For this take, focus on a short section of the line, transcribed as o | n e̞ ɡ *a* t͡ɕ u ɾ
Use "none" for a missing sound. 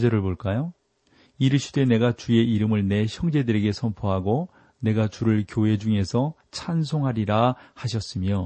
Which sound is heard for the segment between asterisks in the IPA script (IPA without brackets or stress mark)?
a